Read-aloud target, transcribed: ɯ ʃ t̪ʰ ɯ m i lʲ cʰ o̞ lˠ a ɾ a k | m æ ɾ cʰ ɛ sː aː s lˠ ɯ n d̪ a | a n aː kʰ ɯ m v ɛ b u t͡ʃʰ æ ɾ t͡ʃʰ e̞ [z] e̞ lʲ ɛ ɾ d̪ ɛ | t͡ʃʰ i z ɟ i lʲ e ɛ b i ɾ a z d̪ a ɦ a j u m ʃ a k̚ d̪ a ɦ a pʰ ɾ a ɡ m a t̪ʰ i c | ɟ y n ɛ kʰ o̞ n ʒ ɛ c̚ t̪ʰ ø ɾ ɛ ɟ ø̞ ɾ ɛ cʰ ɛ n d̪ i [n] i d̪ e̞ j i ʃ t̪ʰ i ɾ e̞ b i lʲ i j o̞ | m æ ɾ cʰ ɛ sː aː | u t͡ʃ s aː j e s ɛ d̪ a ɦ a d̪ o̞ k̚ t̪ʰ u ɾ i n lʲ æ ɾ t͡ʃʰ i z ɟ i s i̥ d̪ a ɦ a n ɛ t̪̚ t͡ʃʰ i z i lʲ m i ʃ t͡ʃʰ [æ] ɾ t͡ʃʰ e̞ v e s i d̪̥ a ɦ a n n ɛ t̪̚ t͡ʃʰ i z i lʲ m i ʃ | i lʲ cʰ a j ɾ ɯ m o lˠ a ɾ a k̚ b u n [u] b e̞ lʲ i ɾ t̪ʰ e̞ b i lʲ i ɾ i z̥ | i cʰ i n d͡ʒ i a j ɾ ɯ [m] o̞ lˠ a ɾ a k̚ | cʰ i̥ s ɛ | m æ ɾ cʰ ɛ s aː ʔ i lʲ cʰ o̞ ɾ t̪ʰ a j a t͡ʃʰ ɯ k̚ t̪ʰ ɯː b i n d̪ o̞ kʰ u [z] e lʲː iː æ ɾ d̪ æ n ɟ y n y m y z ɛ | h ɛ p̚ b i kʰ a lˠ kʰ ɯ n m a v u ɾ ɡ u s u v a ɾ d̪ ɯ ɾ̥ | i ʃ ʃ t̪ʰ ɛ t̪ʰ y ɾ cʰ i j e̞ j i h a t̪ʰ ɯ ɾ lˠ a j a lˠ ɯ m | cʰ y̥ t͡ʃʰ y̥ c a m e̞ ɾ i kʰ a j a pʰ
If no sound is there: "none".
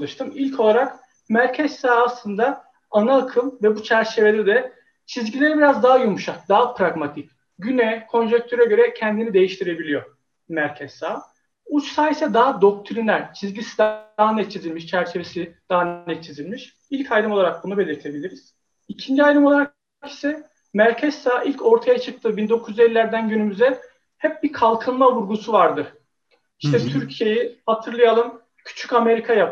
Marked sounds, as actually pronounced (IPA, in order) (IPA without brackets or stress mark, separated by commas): v, n, æ, u, m, z